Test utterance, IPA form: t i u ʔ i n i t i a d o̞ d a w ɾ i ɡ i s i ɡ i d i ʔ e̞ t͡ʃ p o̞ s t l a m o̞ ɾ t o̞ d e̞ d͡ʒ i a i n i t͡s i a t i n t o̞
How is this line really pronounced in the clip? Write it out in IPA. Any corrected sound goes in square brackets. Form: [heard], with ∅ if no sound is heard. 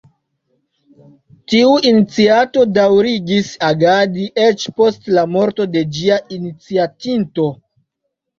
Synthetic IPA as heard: t i u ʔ i n i [t͡s] i a [t] o̞ d a w ɾ i ɡ i s [a] ɡ [a] d i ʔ e̞ t͡ʃ p o̞ s t l a m o̞ ɾ t o̞ d e̞ d͡ʒ i a i n i t͡s i a t i n t o̞